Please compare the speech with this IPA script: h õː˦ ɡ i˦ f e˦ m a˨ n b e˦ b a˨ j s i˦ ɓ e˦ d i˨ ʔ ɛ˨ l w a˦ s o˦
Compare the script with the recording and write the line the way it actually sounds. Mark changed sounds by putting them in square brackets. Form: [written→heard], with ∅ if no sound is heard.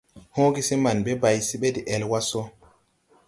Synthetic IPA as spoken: h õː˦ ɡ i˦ [f→s] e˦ m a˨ n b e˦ b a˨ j s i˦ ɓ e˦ d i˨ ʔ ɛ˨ l w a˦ s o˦